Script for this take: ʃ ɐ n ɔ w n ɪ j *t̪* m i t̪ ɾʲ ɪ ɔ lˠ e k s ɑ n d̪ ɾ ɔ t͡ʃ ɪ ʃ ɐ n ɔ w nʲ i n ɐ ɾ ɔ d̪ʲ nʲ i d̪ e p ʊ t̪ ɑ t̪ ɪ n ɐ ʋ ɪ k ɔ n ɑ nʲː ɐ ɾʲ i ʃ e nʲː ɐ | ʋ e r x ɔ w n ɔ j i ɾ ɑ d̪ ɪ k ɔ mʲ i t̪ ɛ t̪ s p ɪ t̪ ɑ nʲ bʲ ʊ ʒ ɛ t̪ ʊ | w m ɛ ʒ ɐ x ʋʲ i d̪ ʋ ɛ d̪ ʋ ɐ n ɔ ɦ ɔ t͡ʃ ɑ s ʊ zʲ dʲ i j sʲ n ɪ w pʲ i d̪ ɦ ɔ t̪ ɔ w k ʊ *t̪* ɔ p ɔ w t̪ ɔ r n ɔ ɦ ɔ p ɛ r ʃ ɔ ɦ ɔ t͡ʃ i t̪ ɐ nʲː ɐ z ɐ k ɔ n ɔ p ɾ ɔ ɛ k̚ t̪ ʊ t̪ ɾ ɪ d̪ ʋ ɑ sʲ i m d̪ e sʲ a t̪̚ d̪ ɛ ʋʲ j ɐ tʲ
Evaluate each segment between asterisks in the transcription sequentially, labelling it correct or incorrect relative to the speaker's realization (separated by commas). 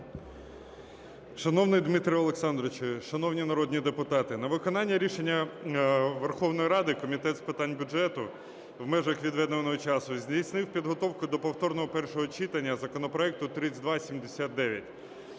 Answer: incorrect, incorrect